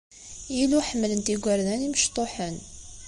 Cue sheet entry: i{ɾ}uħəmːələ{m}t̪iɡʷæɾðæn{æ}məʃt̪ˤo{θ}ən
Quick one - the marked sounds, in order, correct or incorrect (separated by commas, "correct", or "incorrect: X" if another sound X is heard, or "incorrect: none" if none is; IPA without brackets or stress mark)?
incorrect: l, incorrect: n, incorrect: i, incorrect: ħ